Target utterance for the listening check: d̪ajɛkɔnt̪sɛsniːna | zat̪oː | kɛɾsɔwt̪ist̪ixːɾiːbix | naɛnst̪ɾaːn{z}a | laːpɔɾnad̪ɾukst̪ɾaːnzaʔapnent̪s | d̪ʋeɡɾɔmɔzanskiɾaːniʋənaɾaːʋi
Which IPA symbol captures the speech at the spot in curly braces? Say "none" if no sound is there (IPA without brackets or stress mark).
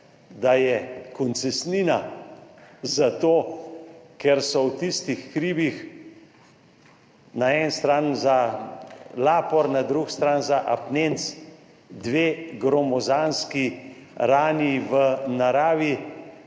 z